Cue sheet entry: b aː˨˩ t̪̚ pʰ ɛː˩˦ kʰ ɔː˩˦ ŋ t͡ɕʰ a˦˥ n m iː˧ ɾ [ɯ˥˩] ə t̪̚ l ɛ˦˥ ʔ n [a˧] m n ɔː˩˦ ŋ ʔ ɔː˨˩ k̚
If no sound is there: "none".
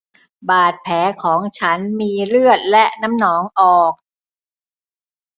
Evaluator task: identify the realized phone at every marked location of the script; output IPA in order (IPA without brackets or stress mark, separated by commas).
ɯ˥˩, a˦˥